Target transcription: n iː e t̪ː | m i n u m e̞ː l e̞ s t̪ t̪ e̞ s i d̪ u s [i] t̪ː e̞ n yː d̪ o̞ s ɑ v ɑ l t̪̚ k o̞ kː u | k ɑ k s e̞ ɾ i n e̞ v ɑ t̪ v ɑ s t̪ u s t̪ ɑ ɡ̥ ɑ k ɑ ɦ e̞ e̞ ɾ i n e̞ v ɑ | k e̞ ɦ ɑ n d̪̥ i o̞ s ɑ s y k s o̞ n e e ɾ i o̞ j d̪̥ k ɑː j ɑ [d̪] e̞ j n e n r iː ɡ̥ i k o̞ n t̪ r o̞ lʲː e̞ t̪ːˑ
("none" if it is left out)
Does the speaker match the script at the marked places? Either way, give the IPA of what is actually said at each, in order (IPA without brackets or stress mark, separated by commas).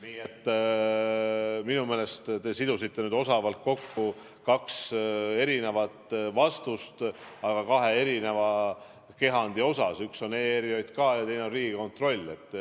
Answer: i, t̪